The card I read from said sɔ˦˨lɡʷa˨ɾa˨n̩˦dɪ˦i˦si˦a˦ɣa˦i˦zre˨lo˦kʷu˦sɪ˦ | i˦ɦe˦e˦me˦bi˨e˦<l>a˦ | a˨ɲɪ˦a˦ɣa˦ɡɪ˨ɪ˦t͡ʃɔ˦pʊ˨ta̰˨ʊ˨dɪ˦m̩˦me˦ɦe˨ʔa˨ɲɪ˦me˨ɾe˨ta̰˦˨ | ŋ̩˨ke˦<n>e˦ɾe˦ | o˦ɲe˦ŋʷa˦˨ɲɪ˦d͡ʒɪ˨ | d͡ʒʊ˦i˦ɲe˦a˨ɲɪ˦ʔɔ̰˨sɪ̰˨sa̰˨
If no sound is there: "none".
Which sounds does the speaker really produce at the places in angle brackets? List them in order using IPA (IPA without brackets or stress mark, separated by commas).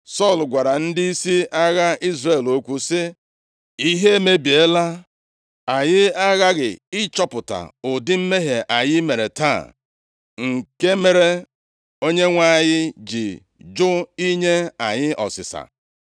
l, m